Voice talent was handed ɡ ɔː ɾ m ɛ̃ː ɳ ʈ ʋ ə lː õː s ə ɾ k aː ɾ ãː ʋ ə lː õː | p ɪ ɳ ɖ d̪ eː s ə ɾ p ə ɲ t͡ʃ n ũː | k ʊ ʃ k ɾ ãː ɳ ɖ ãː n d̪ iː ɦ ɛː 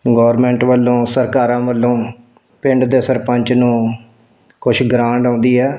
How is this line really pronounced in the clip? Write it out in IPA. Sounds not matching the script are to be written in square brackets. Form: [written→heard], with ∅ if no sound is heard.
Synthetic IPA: ɡ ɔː ɾ m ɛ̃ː ɳ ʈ ʋ ə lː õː s ə ɾ k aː ɾ ãː ʋ ə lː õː | p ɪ ɳ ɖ d̪ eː s ə ɾ p ə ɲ t͡ʃ n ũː | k ʊ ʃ [k→ɡ] ɾ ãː ɳ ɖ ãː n d̪ iː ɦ ɛː